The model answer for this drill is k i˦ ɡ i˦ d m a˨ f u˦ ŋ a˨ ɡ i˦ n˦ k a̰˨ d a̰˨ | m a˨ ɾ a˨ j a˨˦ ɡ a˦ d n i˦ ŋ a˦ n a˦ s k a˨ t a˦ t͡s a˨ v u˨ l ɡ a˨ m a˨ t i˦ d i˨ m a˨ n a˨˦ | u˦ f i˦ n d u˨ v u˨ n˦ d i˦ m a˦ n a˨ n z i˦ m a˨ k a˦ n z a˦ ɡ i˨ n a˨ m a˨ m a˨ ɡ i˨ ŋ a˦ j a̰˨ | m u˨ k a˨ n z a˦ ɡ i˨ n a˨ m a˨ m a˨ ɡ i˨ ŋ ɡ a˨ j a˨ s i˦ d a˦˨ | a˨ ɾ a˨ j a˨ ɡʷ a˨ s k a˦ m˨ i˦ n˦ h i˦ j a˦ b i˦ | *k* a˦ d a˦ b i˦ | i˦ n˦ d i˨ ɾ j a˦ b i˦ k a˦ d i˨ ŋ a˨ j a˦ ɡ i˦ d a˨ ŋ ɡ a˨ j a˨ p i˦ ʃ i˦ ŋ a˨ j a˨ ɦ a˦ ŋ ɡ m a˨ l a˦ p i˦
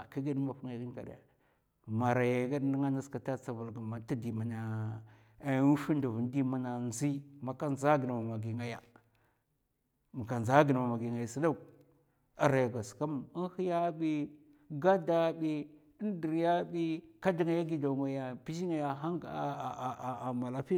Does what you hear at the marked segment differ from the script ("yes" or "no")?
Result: yes